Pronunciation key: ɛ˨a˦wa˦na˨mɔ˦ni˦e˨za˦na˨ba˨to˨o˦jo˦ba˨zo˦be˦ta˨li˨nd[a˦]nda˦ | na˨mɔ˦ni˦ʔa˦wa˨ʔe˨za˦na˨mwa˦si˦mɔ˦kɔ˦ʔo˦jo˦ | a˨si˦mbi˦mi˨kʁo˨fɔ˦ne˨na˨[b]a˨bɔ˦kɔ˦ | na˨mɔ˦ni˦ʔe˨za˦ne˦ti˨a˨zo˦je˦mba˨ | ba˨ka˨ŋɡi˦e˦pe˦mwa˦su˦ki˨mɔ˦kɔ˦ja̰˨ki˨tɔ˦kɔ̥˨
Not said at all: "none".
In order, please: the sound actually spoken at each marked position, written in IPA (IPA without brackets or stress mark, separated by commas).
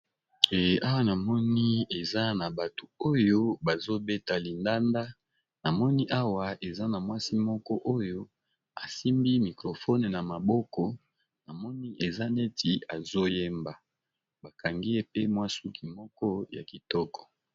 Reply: a˦, m